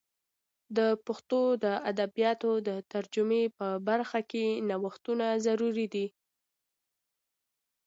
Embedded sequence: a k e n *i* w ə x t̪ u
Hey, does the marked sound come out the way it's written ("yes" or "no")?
no